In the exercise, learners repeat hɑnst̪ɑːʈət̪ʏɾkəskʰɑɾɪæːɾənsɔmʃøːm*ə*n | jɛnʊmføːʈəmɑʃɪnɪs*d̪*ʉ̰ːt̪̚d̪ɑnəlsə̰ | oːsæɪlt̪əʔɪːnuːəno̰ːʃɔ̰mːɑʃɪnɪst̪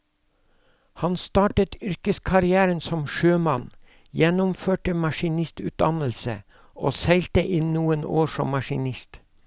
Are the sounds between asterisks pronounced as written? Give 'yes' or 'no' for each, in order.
no, no

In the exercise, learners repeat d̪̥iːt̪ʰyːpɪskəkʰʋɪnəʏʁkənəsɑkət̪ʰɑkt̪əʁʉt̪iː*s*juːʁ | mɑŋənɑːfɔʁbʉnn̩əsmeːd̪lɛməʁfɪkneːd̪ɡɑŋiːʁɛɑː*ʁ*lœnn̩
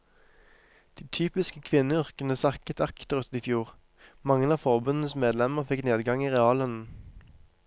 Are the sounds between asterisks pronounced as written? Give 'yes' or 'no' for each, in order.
no, no

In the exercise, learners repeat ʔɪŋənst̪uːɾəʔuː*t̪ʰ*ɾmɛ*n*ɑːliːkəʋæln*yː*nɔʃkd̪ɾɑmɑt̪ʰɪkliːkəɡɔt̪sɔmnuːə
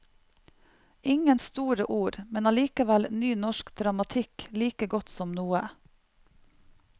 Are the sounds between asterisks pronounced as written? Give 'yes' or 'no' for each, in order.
no, yes, yes

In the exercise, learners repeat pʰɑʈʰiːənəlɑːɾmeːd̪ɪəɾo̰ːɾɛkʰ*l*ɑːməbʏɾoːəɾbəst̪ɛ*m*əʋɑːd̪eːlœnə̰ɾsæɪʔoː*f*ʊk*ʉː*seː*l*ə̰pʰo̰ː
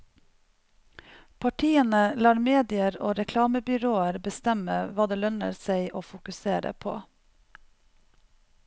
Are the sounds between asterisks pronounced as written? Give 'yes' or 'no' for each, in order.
yes, yes, yes, no, no

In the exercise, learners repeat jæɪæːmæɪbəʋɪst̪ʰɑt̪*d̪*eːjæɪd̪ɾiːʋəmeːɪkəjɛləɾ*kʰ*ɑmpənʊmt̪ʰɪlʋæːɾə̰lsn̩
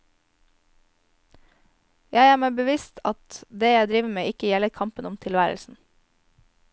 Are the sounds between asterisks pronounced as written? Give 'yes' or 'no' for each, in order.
yes, yes

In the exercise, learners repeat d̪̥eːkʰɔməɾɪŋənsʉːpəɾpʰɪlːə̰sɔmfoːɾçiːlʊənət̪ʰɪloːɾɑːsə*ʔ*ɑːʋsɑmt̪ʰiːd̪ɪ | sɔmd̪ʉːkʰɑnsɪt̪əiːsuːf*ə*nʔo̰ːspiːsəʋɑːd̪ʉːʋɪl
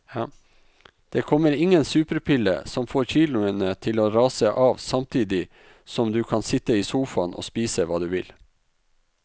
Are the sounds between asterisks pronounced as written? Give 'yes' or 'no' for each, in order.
yes, no

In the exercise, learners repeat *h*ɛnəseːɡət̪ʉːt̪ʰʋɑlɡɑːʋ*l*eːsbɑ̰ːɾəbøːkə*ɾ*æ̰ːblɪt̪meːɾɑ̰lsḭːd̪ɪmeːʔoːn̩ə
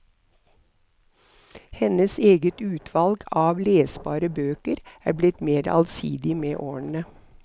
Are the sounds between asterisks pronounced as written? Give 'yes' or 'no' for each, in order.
yes, yes, yes

